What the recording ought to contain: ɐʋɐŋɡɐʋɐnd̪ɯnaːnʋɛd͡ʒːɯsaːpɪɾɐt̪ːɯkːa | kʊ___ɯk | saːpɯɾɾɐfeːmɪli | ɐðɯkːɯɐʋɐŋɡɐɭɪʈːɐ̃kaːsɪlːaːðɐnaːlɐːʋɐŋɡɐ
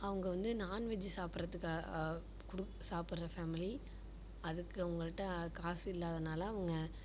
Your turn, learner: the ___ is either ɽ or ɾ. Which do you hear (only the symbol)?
ɽ